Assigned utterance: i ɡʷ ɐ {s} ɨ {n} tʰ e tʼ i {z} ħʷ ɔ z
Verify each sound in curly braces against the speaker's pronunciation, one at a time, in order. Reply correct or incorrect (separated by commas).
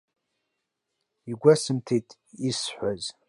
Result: correct, incorrect, incorrect